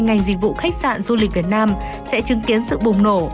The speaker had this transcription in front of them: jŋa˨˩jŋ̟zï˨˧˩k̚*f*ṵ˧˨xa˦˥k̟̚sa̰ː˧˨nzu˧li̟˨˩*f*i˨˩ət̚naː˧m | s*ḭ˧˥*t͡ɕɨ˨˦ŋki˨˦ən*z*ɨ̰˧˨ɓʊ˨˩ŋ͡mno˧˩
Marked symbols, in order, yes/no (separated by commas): no, no, no, no